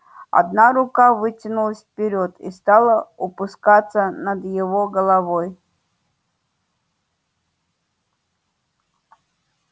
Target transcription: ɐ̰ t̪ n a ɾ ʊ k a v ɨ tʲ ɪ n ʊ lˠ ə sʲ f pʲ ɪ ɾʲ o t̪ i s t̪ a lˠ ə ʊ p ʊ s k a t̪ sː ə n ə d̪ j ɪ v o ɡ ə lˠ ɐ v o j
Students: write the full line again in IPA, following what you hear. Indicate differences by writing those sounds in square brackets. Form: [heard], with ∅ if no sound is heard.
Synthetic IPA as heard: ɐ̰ [d̪] n a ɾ ʊ k a v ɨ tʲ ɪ n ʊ lˠ ə sʲ f pʲ ɪ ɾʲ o t̪ i s t̪ a lˠ ə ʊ p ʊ s k a t̪ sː ə n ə d̪ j ɪ v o ɡ ə lˠ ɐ v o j